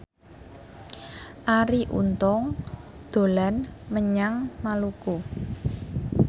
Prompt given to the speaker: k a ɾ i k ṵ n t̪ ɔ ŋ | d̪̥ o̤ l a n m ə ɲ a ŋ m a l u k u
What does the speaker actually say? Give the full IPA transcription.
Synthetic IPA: ʔ a ɾ i ʔ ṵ n t̪ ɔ ŋ | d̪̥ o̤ l a n m ə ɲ a ŋ m a l u k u